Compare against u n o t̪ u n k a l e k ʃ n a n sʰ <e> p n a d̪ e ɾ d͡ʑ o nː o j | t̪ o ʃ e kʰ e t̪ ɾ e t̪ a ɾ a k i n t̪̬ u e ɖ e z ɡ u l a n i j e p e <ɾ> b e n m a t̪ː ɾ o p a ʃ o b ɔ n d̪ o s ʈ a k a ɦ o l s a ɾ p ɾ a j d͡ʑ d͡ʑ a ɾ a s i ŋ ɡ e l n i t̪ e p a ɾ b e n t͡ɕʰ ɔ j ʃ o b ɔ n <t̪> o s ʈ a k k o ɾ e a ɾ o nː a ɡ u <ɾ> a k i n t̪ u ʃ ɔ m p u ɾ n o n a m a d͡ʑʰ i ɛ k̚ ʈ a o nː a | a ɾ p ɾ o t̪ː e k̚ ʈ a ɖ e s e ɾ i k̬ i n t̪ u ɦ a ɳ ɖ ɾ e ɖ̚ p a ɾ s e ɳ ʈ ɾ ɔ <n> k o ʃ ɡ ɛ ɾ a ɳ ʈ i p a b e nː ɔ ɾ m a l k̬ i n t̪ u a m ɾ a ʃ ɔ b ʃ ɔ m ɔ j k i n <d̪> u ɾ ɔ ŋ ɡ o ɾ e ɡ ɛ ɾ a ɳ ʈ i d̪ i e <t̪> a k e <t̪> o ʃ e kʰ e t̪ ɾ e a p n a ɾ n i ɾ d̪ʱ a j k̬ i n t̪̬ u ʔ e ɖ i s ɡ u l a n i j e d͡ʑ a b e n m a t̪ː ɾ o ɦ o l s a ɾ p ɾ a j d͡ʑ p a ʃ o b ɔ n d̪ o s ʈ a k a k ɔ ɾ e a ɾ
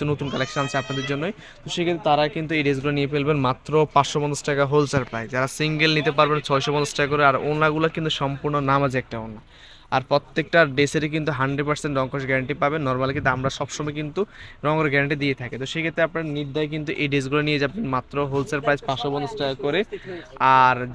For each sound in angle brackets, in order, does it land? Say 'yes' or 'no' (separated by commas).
no, no, no, no, no, no, no, yes